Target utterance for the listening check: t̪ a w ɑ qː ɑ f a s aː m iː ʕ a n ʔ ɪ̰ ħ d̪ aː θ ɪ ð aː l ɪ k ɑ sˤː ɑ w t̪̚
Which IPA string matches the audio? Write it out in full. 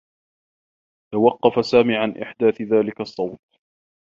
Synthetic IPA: t̪ a w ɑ qː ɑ f a s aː m iː ʕ a n ʔ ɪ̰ ħ d̪ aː θ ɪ ð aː l ɪ k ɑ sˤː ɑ w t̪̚